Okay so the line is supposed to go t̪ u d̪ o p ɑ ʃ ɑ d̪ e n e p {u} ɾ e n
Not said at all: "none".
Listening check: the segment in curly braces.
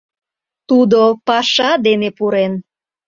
u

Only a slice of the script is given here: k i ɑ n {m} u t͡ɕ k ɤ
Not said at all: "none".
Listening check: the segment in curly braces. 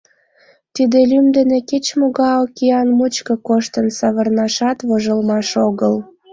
m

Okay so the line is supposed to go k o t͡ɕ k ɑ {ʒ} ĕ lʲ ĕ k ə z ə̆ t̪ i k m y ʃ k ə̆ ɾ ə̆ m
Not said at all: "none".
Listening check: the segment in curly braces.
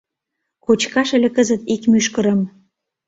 ʃ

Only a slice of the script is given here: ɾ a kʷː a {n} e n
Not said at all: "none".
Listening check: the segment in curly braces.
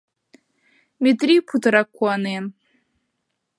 n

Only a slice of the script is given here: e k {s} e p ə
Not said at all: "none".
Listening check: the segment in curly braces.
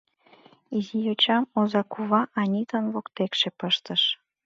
ʃ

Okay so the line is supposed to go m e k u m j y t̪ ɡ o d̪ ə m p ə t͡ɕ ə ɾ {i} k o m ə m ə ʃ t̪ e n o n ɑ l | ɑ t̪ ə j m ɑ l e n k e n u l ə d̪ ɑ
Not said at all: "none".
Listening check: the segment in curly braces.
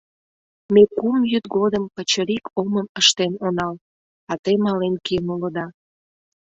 i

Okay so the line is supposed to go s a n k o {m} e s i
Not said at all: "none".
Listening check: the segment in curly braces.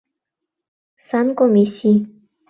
m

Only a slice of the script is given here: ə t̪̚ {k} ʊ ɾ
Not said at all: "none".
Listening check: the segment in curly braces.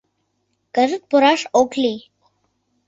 p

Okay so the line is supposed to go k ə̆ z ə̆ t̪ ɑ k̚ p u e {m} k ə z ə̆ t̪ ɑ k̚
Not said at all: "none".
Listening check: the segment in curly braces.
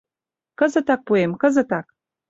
m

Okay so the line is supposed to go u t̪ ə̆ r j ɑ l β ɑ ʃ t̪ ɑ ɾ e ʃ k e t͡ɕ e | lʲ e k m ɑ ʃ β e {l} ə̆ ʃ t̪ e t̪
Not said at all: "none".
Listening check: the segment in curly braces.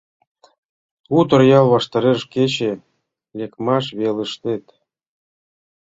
l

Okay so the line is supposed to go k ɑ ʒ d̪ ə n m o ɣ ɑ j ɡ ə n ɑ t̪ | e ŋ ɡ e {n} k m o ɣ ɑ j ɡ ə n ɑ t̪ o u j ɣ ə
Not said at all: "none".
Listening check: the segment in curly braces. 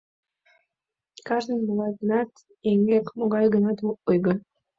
none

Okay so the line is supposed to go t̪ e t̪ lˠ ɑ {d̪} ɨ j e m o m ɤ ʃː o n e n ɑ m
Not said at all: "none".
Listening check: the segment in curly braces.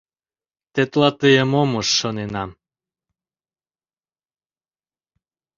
t̪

